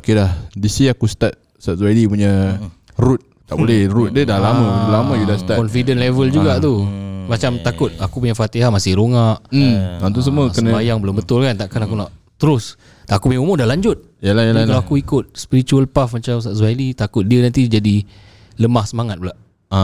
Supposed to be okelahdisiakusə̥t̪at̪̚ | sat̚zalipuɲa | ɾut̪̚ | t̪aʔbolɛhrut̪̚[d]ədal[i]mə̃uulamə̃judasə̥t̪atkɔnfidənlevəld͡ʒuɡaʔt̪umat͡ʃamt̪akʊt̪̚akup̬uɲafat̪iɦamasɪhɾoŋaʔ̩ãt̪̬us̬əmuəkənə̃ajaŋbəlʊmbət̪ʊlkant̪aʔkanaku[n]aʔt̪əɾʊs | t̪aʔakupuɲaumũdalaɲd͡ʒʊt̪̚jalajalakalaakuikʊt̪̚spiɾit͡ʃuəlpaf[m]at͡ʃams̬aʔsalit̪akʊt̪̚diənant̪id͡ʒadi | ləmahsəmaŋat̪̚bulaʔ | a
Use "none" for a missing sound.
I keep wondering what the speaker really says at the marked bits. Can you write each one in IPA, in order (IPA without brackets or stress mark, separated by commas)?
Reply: d, a, n, m